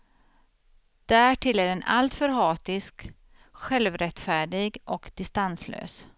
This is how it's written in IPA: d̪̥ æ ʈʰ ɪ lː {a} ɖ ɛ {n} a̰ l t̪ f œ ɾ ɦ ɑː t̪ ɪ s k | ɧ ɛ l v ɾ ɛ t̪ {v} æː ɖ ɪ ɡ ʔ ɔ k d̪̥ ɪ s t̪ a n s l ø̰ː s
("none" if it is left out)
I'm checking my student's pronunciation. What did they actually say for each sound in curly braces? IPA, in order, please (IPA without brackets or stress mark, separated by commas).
æ, n, f